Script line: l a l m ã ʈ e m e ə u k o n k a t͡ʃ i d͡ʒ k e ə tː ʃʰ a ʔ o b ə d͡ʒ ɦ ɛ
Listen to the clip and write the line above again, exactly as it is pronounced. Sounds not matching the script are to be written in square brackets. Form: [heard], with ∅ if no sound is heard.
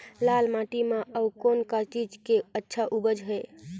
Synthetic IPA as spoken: l a l m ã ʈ [i] m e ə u k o n k a t͡ʃ i d͡ʒ k e ə tː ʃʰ a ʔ [u] b ə d͡ʒ ɦ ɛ